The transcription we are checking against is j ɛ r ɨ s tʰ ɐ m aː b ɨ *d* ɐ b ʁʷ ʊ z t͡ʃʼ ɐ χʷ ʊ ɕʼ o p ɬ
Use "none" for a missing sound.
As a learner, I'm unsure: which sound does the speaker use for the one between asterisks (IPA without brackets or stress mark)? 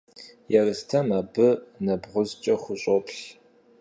n